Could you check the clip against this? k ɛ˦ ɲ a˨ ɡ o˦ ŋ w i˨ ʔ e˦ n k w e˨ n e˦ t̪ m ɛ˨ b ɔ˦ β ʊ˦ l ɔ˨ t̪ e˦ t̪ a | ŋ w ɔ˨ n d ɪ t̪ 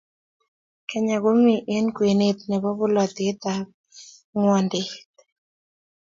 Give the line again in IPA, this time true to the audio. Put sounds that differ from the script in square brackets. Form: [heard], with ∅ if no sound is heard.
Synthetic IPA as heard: k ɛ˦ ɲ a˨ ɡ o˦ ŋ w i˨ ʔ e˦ n k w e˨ n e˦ t̪ [n] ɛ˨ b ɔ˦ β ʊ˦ l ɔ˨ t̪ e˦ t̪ a | ŋ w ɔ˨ n d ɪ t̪